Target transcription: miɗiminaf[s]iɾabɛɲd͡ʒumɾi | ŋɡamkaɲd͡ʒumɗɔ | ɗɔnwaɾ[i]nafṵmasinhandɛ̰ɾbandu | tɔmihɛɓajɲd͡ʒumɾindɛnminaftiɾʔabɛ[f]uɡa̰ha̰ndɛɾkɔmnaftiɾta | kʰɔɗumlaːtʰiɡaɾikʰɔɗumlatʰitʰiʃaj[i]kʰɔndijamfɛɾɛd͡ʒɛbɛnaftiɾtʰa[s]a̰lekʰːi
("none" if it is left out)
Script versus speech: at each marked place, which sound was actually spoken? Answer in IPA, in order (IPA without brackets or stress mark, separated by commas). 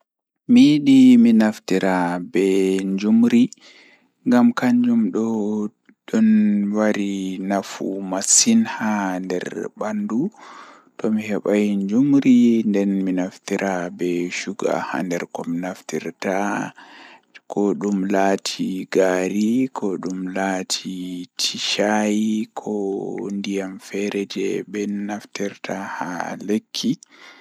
t, i, ʃ, i, h